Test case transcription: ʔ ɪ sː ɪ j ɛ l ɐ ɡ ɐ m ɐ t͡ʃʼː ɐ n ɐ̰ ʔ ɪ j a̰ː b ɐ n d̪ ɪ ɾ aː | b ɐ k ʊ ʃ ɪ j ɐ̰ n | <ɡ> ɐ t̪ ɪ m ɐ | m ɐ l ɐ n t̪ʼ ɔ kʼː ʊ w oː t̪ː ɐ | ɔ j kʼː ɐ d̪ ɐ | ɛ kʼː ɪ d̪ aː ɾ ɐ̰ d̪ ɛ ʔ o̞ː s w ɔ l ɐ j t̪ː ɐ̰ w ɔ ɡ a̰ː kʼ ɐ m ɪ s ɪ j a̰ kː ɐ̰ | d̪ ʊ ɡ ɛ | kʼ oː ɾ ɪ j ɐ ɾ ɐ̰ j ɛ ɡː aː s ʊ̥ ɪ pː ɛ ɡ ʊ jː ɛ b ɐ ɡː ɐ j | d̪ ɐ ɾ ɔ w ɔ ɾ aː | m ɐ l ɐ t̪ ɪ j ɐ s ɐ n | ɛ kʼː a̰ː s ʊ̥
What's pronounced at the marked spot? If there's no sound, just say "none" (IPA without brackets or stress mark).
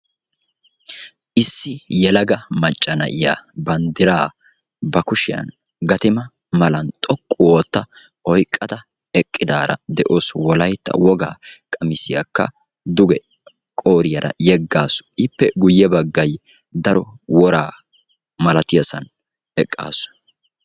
ɡ